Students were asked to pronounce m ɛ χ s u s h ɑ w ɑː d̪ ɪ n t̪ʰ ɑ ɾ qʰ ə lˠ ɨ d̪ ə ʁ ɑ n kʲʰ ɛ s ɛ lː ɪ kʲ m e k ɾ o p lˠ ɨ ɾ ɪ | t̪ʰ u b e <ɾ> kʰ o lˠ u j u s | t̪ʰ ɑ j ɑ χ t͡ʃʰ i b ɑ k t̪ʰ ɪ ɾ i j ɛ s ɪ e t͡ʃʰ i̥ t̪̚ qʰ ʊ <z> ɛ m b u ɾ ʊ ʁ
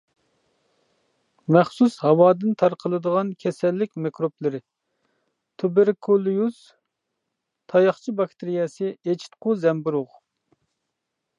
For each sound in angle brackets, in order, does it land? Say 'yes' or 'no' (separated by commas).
yes, yes